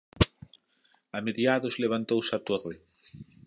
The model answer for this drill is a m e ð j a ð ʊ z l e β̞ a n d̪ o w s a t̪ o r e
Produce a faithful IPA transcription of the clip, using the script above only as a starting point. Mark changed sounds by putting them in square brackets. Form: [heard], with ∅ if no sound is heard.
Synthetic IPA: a m e ð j a ð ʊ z l e β̞ a n [t̪] o w s a t̪ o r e